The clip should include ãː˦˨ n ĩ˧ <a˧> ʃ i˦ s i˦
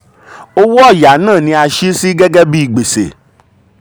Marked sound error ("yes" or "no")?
no